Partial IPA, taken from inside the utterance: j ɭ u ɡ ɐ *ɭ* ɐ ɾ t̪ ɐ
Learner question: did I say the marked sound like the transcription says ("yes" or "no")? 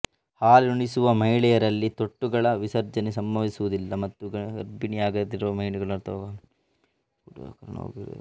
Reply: yes